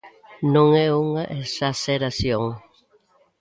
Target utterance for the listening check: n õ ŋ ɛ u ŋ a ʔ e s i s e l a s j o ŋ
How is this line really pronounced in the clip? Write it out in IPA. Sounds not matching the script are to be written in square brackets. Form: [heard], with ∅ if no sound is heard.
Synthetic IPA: n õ ŋ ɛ u ŋ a ʔ e s [a] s e [ɾ] a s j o ŋ